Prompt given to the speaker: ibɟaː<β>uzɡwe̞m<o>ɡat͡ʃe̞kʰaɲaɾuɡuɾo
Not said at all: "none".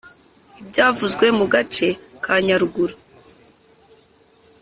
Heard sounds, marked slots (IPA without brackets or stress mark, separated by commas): v, u